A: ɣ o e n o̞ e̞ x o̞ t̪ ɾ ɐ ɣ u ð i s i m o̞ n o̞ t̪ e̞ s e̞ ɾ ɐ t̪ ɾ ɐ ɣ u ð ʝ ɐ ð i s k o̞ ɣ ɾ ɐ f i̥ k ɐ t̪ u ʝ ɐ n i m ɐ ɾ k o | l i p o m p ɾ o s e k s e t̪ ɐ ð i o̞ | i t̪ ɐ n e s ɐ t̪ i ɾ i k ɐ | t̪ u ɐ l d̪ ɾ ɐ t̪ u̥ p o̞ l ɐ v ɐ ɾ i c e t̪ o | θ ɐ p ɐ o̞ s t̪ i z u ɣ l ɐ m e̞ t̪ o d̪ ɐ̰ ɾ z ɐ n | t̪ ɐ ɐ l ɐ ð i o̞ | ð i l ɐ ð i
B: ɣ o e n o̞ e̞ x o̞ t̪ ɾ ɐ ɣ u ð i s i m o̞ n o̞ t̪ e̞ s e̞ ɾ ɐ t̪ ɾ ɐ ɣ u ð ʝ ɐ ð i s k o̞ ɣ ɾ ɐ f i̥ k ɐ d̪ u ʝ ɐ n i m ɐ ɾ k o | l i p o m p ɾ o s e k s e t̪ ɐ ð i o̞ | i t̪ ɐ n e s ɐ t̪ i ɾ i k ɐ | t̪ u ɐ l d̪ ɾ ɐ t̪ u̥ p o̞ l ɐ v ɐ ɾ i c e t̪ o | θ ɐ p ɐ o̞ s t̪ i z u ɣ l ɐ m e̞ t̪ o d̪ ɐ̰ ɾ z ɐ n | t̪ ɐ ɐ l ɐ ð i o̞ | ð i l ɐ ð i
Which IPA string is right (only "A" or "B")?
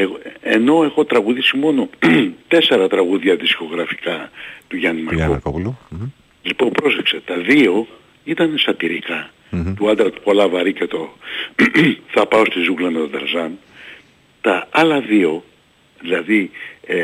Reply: A